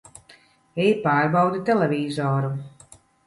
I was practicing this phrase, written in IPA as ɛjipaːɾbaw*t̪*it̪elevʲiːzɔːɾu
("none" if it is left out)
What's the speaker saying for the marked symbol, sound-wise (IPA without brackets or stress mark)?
d̪